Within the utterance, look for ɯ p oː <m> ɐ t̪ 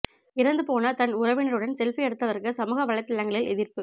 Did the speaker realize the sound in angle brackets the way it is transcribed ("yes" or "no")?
no